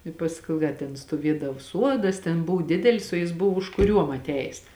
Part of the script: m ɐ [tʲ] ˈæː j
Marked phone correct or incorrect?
correct